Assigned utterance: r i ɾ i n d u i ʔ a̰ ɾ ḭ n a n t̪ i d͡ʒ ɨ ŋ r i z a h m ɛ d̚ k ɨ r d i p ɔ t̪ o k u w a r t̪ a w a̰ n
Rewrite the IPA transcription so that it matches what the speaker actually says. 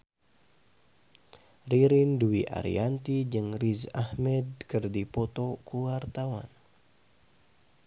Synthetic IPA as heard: r i ɾ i n d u i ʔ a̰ ɾ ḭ a n t̪ i d͡ʒ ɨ ŋ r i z a h m ɛ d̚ k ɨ r d i p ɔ t̪ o k u w a r t̪ a w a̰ n